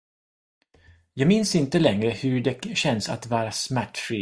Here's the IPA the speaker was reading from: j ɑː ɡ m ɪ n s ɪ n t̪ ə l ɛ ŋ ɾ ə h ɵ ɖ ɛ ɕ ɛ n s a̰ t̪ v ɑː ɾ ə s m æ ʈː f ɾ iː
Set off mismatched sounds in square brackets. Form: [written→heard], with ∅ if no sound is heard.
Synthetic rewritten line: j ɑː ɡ m ɪ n s ɪ n t̪ ə l ɛ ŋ ɾ ə h ɵ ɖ ɛ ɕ ɛ n s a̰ t̪ v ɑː ɾ [ə→a] s m æ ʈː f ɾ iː